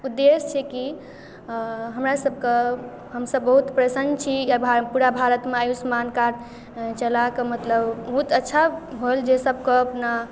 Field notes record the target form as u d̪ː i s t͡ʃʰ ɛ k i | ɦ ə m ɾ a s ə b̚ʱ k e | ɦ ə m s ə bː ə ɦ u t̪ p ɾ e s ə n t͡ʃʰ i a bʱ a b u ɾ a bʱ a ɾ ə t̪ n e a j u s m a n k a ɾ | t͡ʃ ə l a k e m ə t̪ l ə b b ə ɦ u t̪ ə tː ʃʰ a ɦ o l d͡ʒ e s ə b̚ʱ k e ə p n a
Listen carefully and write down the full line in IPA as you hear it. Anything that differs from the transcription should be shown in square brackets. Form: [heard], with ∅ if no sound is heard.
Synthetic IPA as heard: u d̪ː [e] s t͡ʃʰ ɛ k i | ɦ ə m ɾ a s ə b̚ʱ k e | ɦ ə m s ə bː ə ɦ u t̪ p ɾ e s ə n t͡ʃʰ i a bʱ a [p] u ɾ a bʱ a ɾ ə t̪ [m] e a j u s m a n k a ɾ | t͡ʃ ə l a k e m ə t̪ l ə b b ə ɦ u t̪ ə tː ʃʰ a ɦ o l d͡ʒ e s ə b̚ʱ k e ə p n a